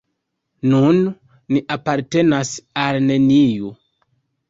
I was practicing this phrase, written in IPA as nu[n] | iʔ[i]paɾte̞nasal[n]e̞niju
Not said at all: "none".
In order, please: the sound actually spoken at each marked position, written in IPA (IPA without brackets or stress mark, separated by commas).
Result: nː, a, n